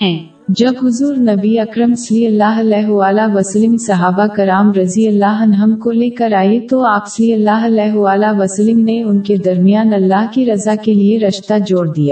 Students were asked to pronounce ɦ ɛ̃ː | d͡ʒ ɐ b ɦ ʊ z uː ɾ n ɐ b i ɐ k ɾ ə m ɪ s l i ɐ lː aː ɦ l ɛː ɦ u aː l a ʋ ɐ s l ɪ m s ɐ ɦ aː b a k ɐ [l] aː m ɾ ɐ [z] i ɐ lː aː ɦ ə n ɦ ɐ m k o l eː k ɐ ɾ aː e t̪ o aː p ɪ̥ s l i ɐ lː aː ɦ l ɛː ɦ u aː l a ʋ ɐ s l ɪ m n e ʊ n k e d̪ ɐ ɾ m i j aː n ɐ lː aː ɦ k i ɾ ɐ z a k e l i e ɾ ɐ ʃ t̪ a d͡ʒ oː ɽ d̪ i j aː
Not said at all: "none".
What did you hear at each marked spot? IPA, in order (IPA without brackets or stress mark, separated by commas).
ɾ, z